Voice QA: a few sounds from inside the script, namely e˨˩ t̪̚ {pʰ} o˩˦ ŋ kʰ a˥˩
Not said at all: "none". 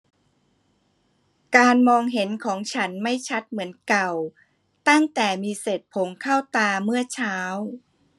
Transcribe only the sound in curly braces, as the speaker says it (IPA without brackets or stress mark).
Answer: pʰ